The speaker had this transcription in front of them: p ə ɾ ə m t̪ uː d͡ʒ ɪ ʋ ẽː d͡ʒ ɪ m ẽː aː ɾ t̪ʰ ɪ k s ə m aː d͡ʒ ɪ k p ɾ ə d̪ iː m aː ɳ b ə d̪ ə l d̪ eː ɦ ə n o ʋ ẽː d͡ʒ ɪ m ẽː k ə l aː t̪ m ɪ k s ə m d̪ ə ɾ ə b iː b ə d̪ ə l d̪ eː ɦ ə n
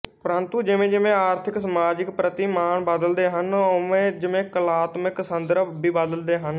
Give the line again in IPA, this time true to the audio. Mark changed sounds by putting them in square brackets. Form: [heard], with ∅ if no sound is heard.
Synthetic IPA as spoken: p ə ɾ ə [n] t̪ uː d͡ʒ ɪ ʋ ẽː d͡ʒ ɪ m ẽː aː ɾ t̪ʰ ɪ k s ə m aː d͡ʒ ɪ k p ɾ ə [t̪] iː m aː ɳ b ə d̪ ə l d̪ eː ɦ ə n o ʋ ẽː d͡ʒ ɪ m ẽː k ə l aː t̪ m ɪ k s ə [n] d̪ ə ɾ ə b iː b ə d̪ ə l d̪ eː ɦ ə n